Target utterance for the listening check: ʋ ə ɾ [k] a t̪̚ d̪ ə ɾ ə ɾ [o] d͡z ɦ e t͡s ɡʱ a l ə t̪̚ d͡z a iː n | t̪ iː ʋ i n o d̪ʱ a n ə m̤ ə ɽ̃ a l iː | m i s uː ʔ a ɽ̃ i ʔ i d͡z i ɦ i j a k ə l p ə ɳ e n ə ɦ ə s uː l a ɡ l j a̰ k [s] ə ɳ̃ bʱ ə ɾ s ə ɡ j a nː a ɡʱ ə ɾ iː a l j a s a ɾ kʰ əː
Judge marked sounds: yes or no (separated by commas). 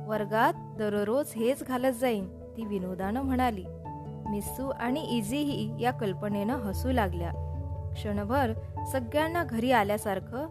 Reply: no, yes, no